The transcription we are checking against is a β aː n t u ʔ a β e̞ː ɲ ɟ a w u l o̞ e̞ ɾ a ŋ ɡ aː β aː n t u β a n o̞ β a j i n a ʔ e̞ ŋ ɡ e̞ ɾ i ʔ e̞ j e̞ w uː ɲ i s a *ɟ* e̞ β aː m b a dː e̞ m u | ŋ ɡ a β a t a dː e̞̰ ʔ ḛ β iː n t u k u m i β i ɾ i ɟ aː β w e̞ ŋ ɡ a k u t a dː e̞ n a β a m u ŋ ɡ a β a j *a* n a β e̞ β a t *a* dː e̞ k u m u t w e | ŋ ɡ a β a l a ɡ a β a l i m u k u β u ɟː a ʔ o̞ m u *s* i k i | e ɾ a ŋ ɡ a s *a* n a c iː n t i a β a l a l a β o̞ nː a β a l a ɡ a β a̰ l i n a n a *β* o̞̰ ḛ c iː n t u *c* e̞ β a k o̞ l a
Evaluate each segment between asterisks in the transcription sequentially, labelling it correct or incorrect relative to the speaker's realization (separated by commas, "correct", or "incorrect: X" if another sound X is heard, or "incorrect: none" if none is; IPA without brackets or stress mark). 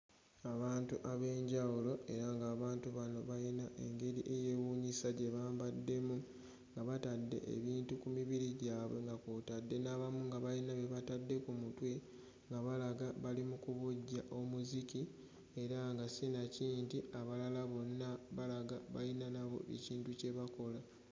correct, incorrect: i, correct, incorrect: z, incorrect: i, correct, correct